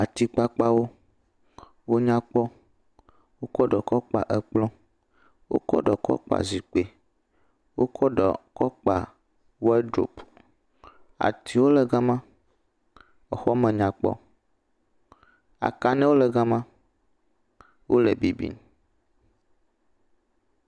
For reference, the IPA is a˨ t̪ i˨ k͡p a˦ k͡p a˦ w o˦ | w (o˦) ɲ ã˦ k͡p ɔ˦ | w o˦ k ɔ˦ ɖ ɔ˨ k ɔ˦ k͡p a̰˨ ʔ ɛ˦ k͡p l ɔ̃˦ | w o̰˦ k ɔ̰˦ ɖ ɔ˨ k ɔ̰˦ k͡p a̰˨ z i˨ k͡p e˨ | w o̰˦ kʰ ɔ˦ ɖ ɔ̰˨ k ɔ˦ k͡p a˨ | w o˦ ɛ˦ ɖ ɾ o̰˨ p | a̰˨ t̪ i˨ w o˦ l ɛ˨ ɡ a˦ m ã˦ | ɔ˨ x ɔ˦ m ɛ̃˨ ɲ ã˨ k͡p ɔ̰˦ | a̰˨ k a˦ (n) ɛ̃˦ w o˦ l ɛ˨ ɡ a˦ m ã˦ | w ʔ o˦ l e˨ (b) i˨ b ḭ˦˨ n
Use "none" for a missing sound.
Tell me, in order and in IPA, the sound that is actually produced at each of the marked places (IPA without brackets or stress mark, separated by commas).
o˦, n, b